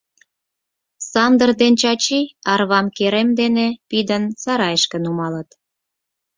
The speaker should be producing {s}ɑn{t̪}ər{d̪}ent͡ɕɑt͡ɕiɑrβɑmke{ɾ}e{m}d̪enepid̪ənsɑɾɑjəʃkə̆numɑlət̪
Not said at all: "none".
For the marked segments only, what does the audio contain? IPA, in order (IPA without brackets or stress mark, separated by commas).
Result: s, d̪, d̪, ɾ, m